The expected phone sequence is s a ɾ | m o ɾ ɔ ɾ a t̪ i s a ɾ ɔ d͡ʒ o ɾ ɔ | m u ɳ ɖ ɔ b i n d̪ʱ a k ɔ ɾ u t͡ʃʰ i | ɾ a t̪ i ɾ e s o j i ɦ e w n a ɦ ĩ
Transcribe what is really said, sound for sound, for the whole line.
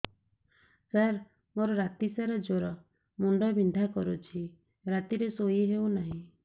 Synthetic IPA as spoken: s a ɾ | m o ɾ ɔ ɾ a t̪ i s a ɾ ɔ d͡ʒ o ɾ ɔ | m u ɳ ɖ ɔ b i n d̪ʱ a k ɔ ɾ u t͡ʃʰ i | ɾ a t̪ i ɾ e s o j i ɦ e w n a ɦ ĩ